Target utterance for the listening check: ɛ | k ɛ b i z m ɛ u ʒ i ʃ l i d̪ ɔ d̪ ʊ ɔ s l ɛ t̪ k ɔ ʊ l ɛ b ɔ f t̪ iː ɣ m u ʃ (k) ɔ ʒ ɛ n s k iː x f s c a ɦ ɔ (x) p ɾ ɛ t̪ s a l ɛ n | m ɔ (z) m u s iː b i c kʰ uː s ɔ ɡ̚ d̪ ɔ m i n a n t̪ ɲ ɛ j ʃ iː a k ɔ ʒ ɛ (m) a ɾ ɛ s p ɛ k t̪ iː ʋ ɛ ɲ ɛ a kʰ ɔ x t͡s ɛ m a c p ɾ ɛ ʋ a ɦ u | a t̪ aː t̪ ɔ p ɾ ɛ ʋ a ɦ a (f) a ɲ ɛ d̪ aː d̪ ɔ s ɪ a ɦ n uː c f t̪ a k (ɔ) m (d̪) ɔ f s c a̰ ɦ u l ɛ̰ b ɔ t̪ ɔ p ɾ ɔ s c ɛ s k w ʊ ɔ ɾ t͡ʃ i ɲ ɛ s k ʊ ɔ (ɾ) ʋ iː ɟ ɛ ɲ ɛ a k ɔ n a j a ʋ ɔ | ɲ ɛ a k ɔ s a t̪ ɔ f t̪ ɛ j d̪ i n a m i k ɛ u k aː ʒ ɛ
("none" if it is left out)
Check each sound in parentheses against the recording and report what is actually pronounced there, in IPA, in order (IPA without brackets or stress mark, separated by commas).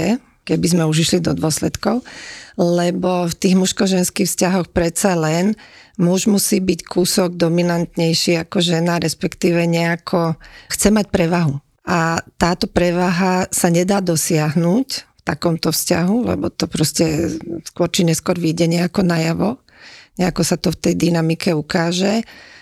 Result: k, x, ʒ, n, s, ɔ, t̪, ɾ